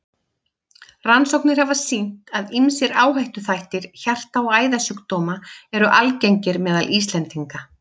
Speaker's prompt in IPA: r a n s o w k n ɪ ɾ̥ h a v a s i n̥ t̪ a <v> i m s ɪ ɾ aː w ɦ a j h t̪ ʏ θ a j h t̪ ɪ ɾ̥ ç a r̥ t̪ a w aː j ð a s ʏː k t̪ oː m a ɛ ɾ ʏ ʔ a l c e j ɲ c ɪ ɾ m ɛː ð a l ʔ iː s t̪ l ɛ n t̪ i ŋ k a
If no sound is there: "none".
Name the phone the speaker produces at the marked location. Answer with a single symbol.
ð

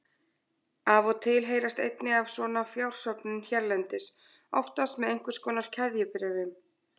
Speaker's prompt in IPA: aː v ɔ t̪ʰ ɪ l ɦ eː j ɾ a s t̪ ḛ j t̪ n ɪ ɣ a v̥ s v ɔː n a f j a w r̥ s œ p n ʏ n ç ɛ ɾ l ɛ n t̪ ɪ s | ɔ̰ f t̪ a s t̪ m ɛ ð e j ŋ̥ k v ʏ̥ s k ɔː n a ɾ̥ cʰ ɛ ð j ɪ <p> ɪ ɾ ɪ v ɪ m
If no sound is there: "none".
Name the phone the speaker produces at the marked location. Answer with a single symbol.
p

